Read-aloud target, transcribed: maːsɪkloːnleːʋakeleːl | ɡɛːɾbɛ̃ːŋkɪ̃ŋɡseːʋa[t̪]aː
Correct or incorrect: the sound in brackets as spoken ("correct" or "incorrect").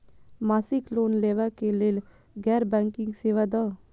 incorrect